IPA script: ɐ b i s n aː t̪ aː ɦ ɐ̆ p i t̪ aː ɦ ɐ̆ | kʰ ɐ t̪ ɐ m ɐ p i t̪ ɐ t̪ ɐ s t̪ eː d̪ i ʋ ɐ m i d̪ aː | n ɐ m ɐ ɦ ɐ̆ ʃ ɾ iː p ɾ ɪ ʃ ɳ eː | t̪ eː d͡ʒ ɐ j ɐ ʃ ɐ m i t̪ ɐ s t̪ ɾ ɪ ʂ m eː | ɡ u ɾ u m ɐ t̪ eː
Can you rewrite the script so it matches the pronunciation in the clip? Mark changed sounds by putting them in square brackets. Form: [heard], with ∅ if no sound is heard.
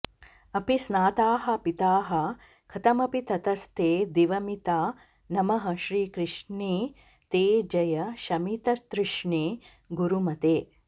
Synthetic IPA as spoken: ɐ [p] i s n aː t̪ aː ɦ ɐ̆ p i t̪ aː ɦ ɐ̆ | kʰ ɐ t̪ ɐ m ɐ p i t̪ ɐ t̪ ɐ s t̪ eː d̪ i ʋ ɐ m i [t̪] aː | n ɐ m ɐ ɦ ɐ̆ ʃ ɾ iː [k] ɾ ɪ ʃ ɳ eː | t̪ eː d͡ʒ ɐ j ɐ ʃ ɐ m i t̪ ɐ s t̪ ɾ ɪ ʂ [ɳ] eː | ɡ u ɾ u m ɐ t̪ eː